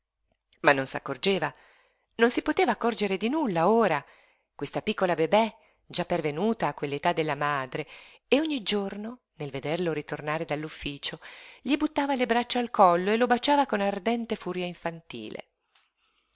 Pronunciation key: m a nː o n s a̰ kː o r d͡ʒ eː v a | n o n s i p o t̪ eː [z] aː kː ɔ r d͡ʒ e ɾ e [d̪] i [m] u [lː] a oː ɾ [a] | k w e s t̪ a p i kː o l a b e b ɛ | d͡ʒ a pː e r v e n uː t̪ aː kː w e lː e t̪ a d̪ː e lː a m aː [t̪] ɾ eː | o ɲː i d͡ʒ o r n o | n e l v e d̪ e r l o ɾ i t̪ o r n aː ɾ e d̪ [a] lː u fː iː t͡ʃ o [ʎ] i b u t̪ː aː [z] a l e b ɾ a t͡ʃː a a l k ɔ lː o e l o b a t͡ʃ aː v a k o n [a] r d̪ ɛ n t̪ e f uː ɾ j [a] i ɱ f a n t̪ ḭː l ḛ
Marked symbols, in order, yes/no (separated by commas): no, yes, no, yes, yes, no, yes, yes, no, yes, yes